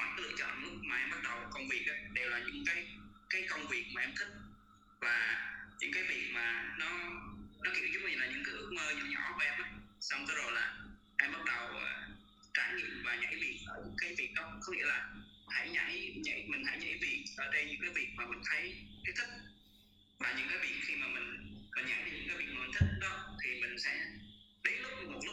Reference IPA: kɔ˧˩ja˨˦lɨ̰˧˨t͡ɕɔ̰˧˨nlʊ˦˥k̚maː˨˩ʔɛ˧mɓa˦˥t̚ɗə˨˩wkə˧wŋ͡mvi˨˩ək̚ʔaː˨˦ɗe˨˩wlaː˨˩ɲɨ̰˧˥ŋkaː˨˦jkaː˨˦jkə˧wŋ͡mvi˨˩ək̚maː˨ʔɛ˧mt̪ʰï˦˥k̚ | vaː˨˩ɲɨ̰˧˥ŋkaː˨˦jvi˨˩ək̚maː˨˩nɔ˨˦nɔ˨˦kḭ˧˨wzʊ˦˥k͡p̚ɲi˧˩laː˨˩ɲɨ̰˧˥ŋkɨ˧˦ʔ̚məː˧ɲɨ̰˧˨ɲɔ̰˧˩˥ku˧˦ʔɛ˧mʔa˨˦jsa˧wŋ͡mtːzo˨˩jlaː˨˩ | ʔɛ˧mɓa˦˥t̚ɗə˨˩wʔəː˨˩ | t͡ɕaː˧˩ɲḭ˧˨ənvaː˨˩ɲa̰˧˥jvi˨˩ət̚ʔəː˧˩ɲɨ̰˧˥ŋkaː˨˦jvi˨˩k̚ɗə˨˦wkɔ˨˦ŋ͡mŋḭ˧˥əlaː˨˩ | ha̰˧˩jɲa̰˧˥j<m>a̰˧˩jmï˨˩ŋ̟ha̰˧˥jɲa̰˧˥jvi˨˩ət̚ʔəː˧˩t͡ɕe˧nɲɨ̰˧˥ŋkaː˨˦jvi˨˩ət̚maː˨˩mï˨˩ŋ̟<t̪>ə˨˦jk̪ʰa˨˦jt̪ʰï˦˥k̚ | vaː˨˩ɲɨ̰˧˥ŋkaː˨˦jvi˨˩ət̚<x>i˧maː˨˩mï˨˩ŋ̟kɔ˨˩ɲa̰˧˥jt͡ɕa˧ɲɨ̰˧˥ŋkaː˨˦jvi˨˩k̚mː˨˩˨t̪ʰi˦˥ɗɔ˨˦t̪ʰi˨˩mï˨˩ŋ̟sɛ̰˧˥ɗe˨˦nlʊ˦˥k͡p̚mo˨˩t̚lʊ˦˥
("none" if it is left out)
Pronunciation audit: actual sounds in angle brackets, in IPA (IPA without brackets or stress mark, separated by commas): ɲ, t̪ʰ, x